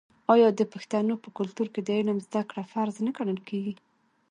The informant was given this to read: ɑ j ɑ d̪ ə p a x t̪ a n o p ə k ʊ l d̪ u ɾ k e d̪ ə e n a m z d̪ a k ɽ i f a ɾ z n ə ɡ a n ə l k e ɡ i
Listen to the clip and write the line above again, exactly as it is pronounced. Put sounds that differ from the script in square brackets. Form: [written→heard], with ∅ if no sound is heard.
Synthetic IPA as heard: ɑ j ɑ d̪ ə p a x t̪ a n o p ə k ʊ l [d̪→t̪] u ɾ k e d̪ ə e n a m z d̪ a k ɽ [i→a] f a ɾ z n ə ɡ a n ə l k e ɡ i